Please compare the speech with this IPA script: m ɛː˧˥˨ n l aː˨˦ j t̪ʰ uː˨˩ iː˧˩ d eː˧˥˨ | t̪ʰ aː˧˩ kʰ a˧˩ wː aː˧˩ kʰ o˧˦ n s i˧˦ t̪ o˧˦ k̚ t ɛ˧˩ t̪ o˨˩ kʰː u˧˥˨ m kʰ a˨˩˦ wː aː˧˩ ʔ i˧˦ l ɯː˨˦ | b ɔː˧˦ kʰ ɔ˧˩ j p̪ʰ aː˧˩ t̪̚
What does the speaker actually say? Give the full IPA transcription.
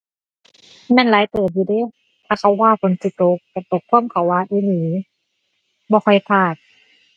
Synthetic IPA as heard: m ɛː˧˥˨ n l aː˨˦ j t̪ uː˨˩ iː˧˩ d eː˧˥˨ | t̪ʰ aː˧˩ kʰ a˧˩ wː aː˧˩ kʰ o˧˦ n s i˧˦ t̪ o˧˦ k̚ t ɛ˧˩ t̪ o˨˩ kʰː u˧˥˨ m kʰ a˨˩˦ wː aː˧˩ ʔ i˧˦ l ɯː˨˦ | b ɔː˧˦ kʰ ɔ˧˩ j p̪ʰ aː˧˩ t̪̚

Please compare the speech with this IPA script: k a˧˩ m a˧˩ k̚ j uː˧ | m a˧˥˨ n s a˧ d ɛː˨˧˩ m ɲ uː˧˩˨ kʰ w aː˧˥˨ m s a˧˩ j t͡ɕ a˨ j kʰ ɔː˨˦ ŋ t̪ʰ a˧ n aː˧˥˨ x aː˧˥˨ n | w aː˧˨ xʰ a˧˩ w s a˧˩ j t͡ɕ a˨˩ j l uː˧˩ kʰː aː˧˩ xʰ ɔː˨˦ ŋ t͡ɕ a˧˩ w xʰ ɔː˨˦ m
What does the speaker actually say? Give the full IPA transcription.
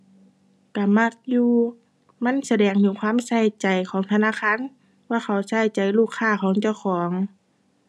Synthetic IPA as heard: k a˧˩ m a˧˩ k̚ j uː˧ | m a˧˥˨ n s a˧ d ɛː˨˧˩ ŋ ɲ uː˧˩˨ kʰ w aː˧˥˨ m s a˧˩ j t͡ɕ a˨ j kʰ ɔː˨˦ ŋ t̪ʰ a˧ n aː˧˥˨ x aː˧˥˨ n | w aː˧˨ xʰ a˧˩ w s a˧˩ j t͡ɕ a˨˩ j l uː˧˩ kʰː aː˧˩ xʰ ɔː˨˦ ŋ t͡ɕ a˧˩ w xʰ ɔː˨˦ ŋ

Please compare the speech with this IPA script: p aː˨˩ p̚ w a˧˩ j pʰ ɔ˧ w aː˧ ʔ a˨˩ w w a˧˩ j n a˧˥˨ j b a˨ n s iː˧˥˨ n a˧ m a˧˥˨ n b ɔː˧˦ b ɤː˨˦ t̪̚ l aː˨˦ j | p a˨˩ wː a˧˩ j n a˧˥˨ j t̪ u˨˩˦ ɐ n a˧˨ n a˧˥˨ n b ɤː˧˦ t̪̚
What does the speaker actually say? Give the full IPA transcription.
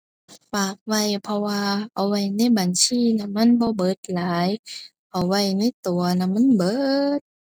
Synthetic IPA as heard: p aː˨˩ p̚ w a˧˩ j pʰ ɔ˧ w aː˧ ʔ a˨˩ w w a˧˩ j n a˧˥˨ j b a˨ n s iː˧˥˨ n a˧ m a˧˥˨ n b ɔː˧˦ b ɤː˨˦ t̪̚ l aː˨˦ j | ʔ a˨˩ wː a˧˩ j n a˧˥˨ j t̪ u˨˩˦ ɐ n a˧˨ m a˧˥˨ n b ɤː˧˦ t̪̚

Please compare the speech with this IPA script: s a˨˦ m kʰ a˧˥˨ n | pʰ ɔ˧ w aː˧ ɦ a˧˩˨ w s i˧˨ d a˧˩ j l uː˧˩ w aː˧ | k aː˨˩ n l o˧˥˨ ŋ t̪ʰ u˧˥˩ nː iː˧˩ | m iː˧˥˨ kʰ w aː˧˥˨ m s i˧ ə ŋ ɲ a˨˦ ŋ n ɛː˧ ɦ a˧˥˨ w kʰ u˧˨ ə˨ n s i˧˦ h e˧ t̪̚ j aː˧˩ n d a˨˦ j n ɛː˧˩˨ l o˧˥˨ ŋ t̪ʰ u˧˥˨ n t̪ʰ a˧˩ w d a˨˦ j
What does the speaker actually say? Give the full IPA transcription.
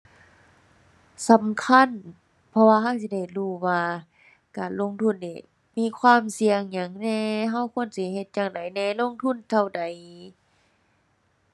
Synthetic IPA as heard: s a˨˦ m kʰ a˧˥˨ n | pʰ ɔ˧ w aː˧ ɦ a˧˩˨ w s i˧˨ d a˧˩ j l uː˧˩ w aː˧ | k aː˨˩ n l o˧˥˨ ŋ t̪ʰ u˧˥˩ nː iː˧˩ | m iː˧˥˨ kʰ w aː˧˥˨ m s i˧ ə ŋ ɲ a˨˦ ŋ n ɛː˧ ɦ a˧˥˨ w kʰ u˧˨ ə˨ n s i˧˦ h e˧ t̪̚ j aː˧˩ ŋ d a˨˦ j n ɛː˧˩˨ l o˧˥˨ ŋ t̪ʰ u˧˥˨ n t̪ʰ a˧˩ w d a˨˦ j

